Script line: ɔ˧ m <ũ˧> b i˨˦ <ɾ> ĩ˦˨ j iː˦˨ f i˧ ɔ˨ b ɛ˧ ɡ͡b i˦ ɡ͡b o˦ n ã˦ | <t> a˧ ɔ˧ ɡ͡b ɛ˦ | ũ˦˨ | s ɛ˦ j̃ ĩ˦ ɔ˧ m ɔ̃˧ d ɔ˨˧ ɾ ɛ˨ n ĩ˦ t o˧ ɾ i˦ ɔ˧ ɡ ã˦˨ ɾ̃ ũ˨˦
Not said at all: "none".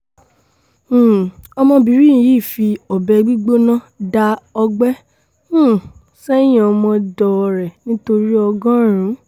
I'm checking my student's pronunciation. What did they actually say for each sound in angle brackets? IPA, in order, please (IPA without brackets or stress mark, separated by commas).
ɔ̃˧, ɾ, d